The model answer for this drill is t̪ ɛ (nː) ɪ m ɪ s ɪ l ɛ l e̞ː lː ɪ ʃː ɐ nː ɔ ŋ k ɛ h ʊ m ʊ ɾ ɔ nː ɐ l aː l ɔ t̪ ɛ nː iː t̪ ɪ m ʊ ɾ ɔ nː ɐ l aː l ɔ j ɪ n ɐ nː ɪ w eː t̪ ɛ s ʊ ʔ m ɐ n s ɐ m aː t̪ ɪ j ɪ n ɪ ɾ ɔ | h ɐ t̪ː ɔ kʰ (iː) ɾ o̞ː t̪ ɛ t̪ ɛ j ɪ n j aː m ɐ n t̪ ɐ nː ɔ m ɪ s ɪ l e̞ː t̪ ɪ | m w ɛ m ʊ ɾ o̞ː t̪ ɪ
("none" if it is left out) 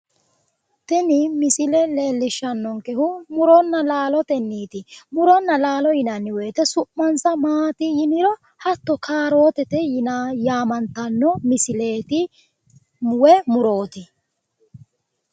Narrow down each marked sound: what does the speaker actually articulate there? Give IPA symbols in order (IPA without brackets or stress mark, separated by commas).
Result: n, aː